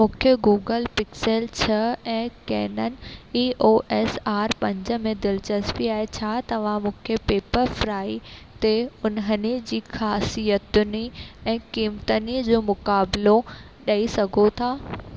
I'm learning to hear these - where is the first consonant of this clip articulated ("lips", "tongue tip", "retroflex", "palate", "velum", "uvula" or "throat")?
lips